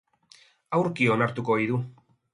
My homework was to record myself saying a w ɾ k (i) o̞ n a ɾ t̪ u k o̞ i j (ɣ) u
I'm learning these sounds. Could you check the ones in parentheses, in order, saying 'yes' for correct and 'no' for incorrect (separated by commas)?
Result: yes, no